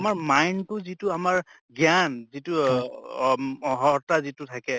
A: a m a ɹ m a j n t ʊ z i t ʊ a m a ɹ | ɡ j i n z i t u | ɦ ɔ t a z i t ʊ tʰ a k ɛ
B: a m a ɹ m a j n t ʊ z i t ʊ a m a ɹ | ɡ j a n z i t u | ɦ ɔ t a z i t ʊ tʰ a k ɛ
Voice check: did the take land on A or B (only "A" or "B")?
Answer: B